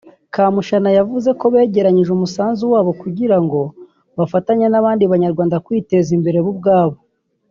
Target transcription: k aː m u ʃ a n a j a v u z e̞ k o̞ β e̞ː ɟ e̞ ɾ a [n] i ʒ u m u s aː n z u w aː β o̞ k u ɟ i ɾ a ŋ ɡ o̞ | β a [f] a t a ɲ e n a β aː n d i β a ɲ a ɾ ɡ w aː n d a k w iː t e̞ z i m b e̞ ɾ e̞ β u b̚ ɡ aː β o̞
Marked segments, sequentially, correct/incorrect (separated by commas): incorrect, correct